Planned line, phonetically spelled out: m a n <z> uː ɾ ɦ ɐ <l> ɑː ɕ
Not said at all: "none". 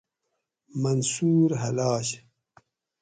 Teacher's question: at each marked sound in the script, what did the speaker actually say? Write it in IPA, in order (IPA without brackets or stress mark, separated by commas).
s, l